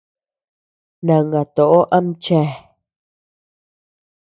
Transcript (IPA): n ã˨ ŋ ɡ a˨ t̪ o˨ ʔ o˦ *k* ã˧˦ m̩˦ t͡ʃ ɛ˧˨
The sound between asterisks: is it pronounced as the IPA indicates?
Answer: no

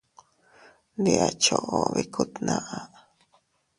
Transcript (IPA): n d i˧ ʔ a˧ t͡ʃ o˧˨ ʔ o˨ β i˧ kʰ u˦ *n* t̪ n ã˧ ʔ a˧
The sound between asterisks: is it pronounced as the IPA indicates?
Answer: no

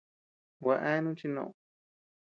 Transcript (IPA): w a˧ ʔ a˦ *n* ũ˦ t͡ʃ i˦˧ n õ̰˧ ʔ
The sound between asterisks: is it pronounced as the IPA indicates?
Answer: yes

